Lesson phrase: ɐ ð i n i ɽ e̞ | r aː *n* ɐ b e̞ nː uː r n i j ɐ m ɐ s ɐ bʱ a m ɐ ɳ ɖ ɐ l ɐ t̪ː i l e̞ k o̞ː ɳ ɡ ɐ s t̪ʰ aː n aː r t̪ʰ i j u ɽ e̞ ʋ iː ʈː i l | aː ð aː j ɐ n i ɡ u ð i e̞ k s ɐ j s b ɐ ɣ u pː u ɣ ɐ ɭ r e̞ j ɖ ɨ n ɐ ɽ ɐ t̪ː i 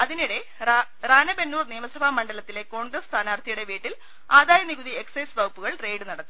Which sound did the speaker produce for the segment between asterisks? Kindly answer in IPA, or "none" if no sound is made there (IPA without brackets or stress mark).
n